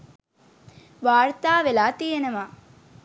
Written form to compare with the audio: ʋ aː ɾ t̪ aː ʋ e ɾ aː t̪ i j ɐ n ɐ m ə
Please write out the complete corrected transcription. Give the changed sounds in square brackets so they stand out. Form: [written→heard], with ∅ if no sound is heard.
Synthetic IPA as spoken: ʋ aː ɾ t̪ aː ʋ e [ɾ→l] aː t̪ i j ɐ n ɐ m [ə→a]